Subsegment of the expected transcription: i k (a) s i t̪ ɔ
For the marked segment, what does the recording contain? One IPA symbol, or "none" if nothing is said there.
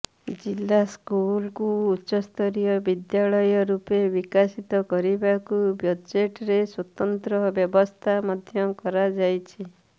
a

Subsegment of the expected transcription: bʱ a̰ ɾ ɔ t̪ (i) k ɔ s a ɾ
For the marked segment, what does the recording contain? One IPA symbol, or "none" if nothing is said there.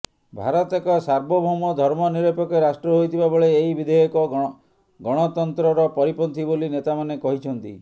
e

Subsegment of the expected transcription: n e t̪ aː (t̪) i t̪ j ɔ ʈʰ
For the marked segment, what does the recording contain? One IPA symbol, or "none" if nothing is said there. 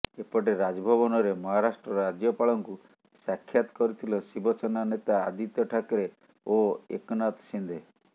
d̪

